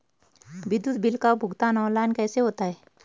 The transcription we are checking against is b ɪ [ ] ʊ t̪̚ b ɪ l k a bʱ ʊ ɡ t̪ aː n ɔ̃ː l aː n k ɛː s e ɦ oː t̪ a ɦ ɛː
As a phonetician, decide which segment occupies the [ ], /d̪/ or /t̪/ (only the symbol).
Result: d̪